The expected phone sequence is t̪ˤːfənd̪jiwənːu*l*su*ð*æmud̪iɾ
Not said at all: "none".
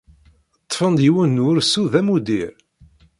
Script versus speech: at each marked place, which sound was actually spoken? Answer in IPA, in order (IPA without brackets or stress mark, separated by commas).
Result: ɾ, ð